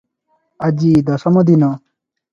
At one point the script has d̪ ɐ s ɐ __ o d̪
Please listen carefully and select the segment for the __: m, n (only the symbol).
m